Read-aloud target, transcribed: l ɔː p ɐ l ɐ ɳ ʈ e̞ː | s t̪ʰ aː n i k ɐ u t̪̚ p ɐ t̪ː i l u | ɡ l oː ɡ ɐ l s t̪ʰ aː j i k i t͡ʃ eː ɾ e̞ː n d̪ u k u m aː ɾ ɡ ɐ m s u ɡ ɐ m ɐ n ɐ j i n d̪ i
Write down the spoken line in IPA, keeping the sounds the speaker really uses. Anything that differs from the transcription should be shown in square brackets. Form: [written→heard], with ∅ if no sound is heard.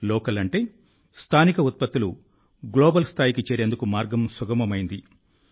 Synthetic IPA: l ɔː [p→k] ɐ l ɐ ɳ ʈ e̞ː | s t̪ʰ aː n i k ɐ u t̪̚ p ɐ t̪ː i l u | ɡ l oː [ɡ→b] ɐ l s t̪ʰ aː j i k i t͡ʃ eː ɾ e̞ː n d̪ u k u m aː ɾ ɡ ɐ m s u ɡ ɐ m ɐ [n→m] ɐ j i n d̪ i